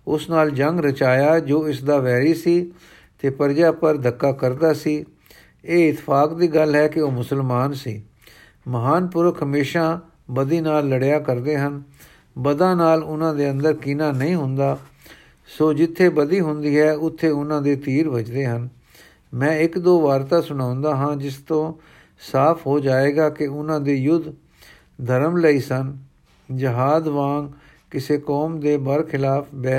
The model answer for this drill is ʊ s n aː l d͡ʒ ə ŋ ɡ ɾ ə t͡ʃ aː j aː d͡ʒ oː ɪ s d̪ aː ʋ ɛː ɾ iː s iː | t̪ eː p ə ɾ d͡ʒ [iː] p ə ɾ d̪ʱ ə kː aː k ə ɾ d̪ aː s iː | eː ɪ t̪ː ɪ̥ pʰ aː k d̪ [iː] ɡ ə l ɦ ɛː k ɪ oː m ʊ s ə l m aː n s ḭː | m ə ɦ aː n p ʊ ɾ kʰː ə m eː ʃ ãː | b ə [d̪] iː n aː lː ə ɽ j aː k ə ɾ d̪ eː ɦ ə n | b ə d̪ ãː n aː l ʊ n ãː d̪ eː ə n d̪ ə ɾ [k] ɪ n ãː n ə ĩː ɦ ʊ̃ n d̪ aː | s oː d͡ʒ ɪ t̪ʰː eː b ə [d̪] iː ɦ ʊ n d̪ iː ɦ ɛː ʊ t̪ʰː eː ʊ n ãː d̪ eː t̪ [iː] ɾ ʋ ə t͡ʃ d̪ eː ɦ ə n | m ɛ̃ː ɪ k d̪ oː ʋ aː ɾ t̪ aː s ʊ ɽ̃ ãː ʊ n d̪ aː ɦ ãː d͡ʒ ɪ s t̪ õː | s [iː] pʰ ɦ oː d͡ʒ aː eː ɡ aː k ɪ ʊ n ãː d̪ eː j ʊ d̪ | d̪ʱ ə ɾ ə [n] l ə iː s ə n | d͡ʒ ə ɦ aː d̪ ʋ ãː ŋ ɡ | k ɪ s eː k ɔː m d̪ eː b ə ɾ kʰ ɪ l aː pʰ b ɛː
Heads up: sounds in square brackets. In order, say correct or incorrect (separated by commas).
incorrect, correct, correct, correct, correct, correct, incorrect, incorrect